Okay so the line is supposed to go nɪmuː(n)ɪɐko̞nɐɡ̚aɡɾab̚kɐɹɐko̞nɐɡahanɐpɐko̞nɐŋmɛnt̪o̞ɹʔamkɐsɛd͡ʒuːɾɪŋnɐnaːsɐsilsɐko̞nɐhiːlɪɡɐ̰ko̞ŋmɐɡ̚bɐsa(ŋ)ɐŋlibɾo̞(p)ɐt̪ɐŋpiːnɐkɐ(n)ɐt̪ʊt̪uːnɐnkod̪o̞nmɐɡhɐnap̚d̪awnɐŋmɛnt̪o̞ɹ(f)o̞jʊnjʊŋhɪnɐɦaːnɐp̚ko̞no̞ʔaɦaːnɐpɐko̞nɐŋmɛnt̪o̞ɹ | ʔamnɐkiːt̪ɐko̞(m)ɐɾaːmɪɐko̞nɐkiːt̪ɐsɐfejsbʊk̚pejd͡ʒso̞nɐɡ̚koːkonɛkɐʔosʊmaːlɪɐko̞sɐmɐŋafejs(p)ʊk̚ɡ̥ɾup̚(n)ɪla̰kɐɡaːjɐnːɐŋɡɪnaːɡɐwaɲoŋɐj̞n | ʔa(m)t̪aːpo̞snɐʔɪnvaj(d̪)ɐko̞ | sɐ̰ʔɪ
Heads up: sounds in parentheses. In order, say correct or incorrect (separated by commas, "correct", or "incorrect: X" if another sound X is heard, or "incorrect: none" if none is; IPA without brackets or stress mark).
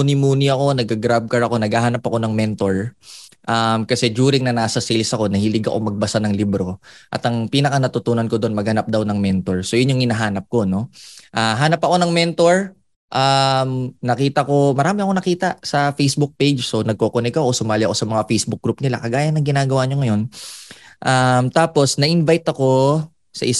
correct, incorrect: n, incorrect: ʔ, correct, incorrect: s, correct, incorrect: b, correct, correct, incorrect: t̪